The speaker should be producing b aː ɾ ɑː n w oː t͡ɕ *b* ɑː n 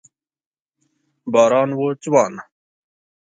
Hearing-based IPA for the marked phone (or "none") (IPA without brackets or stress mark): w